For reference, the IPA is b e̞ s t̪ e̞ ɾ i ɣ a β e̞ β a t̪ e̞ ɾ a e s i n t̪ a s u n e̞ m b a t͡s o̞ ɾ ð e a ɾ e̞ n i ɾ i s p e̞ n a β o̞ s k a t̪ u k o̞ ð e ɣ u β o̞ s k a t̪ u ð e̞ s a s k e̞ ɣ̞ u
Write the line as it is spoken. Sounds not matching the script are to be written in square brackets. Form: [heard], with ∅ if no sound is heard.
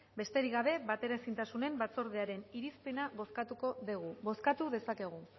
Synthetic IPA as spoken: b e̞ s t̪ e̞ ɾ i ɣ a β e̞ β a t̪ e̞ ɾ a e s i n t̪ a s u n e̞ m b a t͡s o̞ ɾ ð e a ɾ e̞ n i ɾ i s p e̞ n a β o̞ s k a t̪ u k o̞ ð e ɣ u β o̞ s k a t̪ u ð e̞ s a [∅] k e̞ ɣ̞ u